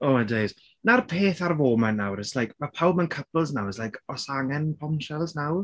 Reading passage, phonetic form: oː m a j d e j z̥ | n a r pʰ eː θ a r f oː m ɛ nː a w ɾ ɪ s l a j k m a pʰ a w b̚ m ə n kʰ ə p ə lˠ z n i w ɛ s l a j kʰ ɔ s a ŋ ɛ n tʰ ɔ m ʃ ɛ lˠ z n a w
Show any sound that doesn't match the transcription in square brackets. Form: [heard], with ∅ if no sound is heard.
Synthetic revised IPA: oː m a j d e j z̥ | n a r pʰ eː θ a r [v] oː m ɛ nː a w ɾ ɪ s l a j k m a pʰ a w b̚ m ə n kʰ ə p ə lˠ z n [a] w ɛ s l a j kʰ ɔ s a ŋ ɛ n [pʰ] ɔ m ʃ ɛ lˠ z n a w